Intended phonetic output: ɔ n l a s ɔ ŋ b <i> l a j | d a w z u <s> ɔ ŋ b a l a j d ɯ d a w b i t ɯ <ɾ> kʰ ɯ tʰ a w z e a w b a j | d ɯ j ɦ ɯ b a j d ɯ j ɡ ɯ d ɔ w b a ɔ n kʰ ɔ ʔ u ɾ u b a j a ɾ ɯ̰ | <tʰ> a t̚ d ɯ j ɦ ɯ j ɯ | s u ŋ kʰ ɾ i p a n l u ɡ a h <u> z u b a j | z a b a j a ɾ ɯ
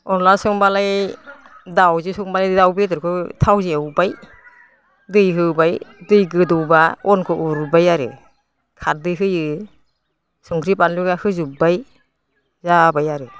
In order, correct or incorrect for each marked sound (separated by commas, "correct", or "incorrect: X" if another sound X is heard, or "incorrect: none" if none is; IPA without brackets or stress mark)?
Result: incorrect: a, correct, correct, incorrect: kʰ, incorrect: ɯ